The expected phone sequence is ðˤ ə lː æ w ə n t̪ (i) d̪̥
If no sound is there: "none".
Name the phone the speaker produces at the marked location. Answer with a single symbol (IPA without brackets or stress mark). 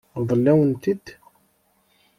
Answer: i